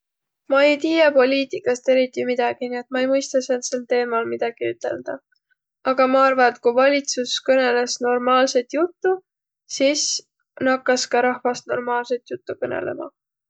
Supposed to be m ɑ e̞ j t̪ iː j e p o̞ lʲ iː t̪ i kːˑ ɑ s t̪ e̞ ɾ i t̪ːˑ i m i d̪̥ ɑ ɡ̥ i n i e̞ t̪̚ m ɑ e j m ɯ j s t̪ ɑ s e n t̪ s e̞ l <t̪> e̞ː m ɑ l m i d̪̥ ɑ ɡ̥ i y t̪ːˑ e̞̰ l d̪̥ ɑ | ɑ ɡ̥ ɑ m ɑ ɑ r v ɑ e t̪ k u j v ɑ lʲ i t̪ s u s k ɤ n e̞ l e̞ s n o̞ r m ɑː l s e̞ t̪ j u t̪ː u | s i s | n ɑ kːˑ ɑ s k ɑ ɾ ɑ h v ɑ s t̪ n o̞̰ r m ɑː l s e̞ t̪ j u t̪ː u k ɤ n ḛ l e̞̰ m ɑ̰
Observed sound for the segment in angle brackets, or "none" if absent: t̪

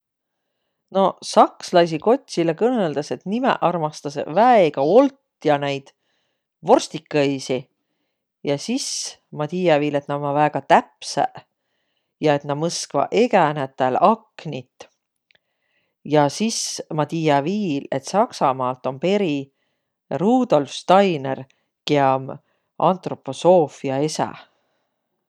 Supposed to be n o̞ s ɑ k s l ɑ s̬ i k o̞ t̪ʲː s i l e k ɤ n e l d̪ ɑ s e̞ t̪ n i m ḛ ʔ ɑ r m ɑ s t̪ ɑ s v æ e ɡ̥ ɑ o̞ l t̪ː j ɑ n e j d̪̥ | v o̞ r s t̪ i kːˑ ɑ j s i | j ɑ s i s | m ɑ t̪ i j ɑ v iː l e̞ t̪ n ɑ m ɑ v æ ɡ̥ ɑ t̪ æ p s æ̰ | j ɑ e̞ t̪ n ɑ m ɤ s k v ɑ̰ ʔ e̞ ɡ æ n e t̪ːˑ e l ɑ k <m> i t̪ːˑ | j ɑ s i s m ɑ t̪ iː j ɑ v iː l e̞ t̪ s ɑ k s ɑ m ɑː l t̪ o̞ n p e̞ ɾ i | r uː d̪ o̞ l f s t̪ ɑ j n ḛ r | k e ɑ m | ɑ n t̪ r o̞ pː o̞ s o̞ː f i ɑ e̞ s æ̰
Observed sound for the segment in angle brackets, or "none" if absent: n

